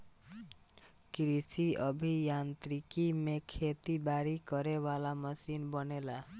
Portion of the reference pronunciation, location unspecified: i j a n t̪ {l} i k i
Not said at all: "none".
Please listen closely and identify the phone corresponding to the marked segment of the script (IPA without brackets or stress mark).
ɾ